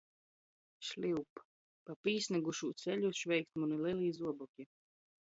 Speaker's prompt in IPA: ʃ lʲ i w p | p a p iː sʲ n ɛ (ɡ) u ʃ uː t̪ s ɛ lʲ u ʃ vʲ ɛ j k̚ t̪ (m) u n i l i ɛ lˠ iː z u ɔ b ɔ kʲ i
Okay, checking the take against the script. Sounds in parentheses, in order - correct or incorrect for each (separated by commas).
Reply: correct, correct